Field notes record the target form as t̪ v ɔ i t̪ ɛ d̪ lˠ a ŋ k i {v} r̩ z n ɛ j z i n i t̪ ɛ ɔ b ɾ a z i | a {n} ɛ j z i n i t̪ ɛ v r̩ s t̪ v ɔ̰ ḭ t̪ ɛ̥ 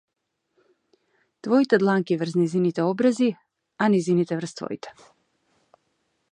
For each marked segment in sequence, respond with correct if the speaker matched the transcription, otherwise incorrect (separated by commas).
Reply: correct, correct